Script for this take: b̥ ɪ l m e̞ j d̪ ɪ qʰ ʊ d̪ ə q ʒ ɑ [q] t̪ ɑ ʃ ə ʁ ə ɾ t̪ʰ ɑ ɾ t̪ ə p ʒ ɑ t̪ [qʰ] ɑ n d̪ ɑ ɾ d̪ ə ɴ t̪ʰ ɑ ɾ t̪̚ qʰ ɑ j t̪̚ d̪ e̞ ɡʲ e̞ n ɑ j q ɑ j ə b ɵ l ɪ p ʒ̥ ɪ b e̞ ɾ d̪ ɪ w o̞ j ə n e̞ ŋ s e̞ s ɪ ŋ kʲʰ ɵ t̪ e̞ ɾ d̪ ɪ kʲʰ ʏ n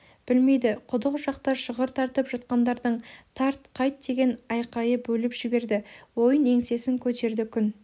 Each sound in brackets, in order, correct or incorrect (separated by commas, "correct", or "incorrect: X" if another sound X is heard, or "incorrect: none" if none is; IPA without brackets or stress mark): correct, incorrect: q